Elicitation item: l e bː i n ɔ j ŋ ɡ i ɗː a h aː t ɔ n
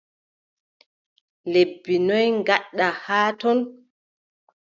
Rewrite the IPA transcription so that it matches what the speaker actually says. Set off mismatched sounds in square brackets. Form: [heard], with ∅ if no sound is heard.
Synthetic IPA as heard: l e bː i n ɔ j ŋ ɡ [a] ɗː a h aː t ɔ n

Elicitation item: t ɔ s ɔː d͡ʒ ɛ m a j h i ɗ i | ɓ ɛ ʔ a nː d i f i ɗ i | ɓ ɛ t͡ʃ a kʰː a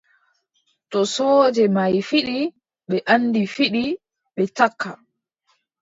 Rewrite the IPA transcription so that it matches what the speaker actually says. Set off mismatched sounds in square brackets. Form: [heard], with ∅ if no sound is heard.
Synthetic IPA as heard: t ɔ s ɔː d͡ʒ ɛ m a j [f] i ɗ i | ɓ ɛ ʔ a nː d i f i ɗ i | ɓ ɛ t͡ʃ a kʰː a

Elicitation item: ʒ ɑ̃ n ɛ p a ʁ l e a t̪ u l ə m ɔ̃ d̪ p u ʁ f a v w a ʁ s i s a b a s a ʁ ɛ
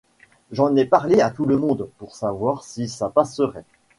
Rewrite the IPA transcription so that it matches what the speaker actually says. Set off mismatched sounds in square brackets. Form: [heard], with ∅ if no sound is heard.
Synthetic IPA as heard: ʒ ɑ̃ n ɛ p a ʁ l e a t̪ u l ə m ɔ̃ d̪ p u ʁ [s] a v w a ʁ s i s a [p] a s [ə] ʁ ɛ

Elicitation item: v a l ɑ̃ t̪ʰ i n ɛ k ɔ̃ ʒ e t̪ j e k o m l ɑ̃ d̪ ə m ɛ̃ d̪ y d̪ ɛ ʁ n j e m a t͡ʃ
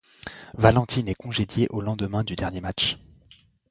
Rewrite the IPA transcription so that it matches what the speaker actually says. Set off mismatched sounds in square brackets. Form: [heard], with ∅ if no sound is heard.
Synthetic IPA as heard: v a l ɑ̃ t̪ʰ i n ɛ k ɔ̃ ʒ e [d̪] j e [ʔ] o [∅] l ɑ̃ d̪ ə m ɛ̃ d̪ y d̪ ɛ ʁ n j e m a t͡ʃ

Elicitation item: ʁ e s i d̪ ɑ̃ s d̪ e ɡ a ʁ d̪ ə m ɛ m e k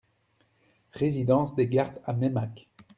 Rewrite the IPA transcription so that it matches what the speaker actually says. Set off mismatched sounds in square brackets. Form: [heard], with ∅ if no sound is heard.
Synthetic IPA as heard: ʁ e [z] i d̪ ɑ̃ s d̪ e ɡ a ʁ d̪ [a] m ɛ m [a] k

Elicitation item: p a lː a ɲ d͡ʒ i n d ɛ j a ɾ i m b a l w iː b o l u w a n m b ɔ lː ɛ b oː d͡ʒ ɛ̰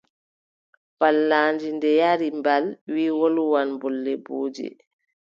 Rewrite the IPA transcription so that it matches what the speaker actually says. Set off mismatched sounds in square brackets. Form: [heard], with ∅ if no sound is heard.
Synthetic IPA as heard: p a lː a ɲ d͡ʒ i n d ɛ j a ɾ i m b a l w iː [w] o l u w a n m b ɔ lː ɛ b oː d͡ʒ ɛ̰

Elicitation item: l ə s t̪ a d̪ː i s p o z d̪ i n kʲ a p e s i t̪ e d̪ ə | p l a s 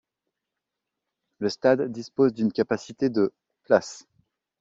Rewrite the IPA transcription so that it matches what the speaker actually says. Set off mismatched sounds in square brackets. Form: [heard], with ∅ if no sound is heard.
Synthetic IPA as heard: l ə s t̪ a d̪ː i s p o z d̪ [y] n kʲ a p [a] s i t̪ e d̪ ə | p l a s

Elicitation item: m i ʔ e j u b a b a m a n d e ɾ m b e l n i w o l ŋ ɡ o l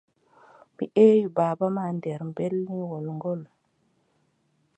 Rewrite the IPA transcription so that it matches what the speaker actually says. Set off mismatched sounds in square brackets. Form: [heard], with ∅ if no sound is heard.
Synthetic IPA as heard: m i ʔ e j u b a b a m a n d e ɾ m b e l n i w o l ŋ ɡ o l

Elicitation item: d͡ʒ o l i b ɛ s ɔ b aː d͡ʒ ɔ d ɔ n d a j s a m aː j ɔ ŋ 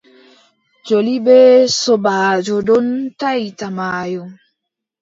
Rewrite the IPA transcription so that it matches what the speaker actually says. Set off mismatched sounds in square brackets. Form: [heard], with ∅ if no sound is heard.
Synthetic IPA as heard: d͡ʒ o l i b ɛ s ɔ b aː d͡ʒ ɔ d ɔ n [t] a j [t] a m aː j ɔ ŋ

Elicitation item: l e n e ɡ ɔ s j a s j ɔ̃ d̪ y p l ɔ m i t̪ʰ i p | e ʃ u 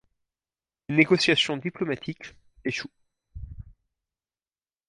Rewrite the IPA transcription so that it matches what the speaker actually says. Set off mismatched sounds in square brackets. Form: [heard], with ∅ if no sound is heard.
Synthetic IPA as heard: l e n e ɡ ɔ s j a s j ɔ̃ d̪ [i] p l ɔ m [a] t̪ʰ i [k] | e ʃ u

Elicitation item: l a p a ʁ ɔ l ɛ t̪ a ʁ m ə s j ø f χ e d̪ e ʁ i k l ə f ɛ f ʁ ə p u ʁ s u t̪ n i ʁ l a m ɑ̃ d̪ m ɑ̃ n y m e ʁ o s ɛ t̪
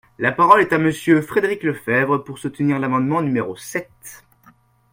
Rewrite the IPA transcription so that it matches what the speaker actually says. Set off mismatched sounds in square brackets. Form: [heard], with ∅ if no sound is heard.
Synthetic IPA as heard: l a p a ʁ ɔ l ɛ t̪ a [∅] m ə s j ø f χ e d̪ e ʁ i k l ə f ɛ [v] ʁ ə p u ʁ s u t̪ n i ʁ l a m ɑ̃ d̪ m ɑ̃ n y m e ʁ o s ɛ t̪

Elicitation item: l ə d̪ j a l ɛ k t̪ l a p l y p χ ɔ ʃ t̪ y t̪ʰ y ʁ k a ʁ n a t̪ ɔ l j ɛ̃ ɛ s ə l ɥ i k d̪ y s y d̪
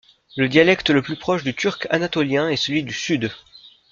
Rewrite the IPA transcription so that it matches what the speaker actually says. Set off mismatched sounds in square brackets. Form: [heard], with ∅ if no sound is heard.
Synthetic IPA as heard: l ə d̪ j a l ɛ k t̪ l [ə] p l y p χ ɔ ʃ [d̪] y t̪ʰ y ʁ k a [∅] n a t̪ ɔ l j ɛ̃ ɛ s ə l ɥ i [∅] d̪ y s y d̪

